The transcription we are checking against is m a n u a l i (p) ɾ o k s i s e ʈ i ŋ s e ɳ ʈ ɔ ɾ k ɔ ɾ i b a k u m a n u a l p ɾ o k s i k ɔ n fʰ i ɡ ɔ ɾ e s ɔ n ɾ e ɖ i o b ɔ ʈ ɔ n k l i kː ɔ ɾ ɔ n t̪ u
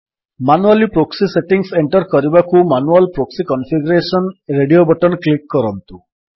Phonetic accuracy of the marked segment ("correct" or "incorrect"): correct